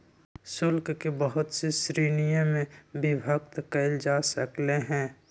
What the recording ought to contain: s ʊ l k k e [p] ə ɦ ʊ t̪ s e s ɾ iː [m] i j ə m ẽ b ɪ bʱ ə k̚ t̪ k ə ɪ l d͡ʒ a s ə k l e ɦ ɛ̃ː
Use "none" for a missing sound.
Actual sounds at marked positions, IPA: b, n

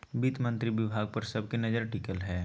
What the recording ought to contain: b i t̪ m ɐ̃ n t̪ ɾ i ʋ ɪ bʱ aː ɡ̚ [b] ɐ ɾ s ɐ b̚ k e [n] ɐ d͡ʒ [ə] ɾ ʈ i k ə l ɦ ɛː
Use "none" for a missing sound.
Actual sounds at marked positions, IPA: p, n, ə

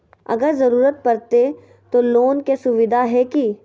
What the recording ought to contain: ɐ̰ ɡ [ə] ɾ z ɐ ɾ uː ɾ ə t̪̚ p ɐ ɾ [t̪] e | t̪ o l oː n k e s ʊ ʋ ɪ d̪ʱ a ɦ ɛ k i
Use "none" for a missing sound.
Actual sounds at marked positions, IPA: ə, t̪

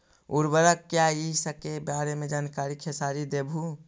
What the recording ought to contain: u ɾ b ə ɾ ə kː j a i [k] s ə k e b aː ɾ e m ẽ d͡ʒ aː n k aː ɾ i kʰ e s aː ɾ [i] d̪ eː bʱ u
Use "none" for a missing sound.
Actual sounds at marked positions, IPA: none, i

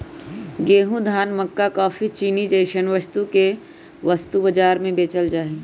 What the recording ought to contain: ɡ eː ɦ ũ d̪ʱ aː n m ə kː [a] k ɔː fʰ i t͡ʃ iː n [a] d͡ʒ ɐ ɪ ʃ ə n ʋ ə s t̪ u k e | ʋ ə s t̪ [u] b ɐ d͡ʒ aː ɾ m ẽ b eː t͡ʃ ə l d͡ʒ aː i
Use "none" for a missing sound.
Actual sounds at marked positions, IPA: a, i, u

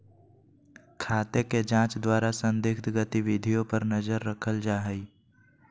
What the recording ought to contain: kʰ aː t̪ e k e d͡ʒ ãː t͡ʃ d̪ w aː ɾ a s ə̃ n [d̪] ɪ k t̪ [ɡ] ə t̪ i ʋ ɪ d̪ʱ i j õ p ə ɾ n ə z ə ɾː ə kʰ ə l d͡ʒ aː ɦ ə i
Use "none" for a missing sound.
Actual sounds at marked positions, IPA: d̪, ɡ

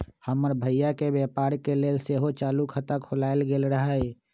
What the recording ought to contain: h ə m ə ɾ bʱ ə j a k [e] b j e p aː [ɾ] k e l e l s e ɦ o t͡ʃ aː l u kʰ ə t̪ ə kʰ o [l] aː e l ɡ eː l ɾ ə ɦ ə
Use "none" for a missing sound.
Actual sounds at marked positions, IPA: e, ɾ, l

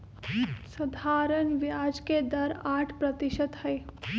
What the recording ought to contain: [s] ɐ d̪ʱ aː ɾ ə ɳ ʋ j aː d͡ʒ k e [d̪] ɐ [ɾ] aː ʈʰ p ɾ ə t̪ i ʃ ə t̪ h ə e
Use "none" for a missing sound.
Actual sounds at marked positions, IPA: s, d̪, ɾ

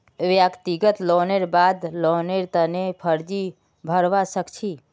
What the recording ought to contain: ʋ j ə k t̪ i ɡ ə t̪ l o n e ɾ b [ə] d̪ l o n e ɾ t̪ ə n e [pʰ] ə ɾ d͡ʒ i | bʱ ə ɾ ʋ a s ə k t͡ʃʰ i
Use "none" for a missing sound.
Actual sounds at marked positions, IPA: a, pʰ

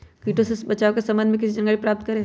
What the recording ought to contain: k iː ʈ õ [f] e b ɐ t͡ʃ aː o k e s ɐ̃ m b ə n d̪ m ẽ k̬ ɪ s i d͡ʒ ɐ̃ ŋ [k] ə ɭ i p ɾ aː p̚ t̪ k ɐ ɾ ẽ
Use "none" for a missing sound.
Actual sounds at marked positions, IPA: s, ɡ

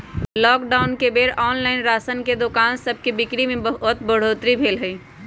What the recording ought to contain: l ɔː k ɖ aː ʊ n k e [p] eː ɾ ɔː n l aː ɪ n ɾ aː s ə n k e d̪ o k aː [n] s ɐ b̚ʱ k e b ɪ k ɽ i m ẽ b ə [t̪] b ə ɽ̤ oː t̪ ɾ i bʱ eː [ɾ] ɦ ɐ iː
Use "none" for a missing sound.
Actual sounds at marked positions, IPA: b, n, t̪, l

